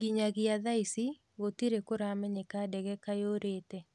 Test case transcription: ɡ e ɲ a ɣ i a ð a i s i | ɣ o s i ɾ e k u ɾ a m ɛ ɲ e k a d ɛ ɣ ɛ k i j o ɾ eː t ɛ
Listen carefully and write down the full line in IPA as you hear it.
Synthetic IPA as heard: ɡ i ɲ a ɣ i a ð a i s i | ɣ o t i ɾ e k o ɾ a m ɛ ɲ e k a d ɛ ɣ ɛ k a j o ɾ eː t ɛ